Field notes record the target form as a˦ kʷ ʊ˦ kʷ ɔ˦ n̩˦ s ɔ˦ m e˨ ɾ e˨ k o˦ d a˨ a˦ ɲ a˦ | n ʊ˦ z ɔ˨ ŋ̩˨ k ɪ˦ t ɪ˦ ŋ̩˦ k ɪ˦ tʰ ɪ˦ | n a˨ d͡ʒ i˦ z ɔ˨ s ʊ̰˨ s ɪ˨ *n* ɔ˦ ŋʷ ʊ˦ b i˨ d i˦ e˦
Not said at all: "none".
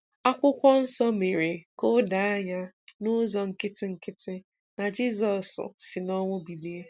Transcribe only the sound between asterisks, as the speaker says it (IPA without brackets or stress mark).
n